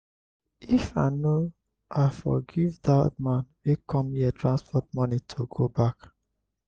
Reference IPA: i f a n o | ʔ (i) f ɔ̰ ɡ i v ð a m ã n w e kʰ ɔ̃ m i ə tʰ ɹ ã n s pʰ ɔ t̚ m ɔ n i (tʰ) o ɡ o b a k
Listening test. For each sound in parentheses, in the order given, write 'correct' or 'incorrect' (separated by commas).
incorrect, correct